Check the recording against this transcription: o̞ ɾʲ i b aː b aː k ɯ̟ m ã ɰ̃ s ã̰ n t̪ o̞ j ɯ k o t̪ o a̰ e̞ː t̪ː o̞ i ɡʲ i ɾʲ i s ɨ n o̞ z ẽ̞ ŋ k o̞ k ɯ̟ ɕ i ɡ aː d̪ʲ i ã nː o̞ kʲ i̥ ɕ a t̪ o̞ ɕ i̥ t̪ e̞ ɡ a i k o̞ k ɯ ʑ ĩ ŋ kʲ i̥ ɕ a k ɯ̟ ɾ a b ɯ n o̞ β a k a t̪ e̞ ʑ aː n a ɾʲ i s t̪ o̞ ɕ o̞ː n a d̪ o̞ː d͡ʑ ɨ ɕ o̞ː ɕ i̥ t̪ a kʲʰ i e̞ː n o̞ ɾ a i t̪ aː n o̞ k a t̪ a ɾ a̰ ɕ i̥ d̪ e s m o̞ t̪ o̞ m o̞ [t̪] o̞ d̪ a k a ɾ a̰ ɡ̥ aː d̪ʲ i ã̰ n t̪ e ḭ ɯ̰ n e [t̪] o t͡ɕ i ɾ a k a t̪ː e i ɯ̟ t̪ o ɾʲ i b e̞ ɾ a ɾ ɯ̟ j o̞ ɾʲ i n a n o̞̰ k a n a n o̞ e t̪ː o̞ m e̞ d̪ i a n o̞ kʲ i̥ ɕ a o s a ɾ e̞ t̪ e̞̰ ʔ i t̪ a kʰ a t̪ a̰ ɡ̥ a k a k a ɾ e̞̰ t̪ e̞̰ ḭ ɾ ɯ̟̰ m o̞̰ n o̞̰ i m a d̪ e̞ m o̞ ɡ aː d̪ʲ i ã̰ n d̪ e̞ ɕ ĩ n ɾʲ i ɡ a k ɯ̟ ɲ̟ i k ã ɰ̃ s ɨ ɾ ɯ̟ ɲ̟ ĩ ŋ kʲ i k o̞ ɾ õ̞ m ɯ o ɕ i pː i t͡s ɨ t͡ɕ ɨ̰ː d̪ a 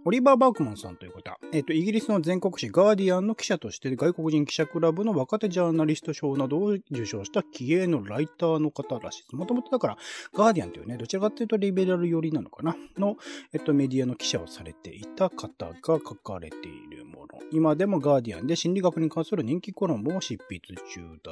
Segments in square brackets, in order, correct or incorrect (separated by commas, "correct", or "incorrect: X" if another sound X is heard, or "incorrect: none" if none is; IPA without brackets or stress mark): correct, incorrect: d̪